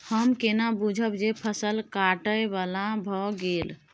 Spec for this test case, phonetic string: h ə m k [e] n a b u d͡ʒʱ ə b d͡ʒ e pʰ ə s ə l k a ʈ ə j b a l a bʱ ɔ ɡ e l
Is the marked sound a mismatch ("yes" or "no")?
no